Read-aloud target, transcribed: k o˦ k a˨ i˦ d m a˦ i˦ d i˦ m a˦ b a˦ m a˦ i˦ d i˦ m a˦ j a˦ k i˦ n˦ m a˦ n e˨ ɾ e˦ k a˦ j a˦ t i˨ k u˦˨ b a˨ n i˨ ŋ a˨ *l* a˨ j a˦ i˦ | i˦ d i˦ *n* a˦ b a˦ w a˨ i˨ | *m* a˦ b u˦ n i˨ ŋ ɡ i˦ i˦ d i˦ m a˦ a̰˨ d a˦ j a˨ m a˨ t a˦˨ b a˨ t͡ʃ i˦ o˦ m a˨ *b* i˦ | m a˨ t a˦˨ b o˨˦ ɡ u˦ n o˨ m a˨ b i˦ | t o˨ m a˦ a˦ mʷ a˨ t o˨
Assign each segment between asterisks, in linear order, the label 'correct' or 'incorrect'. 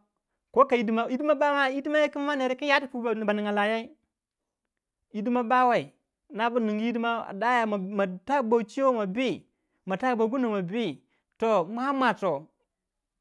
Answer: correct, incorrect: m, incorrect: n, correct

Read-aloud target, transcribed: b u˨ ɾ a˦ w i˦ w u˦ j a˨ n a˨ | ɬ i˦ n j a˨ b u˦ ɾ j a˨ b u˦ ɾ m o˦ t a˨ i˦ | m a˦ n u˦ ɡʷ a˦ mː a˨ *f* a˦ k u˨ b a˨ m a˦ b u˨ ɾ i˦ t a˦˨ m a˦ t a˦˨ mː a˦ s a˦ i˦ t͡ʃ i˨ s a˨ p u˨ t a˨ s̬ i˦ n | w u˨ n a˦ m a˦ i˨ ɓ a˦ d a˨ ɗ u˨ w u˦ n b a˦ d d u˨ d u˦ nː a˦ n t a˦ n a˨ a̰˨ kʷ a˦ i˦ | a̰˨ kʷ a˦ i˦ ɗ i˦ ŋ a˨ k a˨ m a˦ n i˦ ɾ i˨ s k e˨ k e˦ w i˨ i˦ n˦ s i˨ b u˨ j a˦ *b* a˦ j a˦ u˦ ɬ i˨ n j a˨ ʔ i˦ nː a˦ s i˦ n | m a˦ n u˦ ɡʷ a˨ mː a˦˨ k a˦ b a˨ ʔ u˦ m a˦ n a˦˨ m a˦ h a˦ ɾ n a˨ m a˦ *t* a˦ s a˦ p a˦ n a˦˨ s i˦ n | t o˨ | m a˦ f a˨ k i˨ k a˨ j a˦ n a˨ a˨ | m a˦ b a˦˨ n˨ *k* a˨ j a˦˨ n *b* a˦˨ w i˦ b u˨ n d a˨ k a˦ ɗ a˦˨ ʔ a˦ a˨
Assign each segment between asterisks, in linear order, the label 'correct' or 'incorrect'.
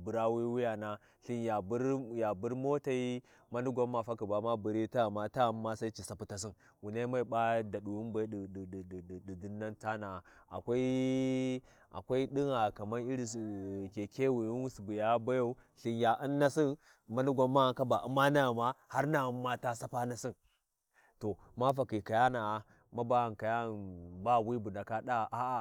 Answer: correct, correct, correct, correct, correct

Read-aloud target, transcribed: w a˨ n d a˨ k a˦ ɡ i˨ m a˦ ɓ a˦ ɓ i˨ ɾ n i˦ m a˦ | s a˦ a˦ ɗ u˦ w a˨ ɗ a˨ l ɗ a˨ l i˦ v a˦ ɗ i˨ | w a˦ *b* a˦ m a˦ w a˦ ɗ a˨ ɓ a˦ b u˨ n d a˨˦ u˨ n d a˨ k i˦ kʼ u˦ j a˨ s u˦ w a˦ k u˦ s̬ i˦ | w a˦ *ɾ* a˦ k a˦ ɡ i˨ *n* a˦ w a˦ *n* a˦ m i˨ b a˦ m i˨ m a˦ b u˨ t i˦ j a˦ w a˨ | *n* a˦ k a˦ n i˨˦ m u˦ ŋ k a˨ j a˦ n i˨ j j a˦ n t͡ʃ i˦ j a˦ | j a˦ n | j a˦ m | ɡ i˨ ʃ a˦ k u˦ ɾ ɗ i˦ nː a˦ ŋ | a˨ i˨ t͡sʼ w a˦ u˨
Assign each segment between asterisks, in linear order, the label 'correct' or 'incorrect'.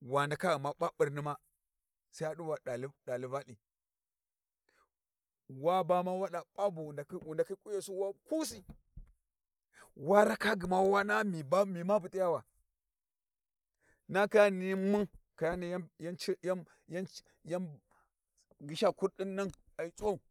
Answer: correct, correct, incorrect: m, correct, correct

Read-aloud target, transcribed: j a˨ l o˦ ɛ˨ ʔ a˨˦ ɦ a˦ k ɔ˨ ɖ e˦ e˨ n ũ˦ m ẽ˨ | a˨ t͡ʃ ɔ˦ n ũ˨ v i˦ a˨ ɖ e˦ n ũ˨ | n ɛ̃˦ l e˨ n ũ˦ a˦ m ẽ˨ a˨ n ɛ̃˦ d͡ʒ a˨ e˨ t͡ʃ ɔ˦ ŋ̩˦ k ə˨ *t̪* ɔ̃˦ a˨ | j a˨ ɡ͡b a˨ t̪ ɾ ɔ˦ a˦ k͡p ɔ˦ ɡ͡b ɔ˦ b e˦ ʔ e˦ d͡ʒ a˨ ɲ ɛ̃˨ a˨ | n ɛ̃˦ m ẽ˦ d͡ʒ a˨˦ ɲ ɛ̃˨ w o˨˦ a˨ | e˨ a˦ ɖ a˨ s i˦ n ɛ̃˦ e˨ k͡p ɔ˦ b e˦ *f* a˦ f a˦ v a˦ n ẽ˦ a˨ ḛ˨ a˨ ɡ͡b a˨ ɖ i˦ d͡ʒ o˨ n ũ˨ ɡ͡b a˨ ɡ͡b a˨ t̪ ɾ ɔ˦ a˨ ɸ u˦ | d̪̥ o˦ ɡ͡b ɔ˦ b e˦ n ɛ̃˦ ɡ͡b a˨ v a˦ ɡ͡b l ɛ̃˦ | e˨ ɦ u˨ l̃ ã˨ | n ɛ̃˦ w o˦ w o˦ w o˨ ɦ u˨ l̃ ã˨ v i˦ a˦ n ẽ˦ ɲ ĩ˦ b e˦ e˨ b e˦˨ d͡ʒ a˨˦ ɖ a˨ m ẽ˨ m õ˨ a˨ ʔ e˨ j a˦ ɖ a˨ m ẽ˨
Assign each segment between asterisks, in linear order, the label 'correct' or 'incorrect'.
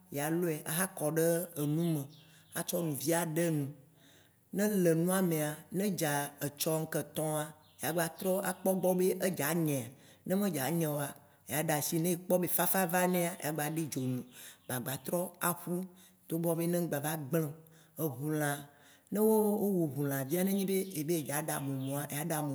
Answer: correct, correct

